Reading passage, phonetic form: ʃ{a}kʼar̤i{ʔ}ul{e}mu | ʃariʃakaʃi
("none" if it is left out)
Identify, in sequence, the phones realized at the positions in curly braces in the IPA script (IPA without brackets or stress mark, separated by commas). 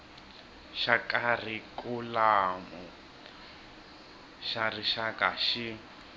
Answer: a, k, a